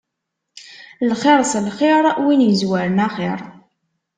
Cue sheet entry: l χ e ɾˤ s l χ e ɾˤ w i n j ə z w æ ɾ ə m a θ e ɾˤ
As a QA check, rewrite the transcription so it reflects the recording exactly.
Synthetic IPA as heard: l χ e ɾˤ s l χ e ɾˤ w i n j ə z w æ ɾ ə n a χ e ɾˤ